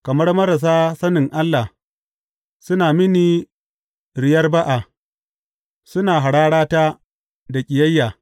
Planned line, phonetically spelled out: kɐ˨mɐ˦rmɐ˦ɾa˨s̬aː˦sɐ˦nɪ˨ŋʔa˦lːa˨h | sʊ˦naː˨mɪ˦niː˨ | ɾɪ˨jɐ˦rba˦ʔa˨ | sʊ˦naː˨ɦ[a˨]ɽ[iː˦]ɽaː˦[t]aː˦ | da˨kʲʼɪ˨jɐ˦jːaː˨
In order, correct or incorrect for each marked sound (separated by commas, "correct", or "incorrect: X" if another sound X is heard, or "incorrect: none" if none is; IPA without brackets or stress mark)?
correct, incorrect: aː˦, correct